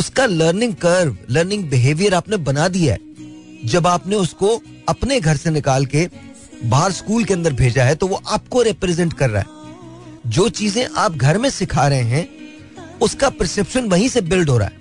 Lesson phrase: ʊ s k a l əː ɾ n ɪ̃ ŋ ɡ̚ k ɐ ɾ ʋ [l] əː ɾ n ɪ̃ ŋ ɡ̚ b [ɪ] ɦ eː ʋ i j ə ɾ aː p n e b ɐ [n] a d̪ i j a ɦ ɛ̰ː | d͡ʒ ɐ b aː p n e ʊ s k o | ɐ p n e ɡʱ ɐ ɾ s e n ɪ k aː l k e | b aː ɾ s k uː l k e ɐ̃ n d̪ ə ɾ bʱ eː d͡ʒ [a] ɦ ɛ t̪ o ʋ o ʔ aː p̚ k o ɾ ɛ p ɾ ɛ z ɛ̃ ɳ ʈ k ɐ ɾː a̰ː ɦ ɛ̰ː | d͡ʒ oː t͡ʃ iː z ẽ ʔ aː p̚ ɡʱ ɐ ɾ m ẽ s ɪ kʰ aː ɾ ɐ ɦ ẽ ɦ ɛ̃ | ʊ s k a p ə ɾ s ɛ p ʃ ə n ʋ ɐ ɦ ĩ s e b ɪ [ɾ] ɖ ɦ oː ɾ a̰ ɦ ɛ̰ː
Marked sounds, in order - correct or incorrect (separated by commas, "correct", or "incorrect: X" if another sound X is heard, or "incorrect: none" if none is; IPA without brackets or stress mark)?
correct, correct, correct, correct, incorrect: l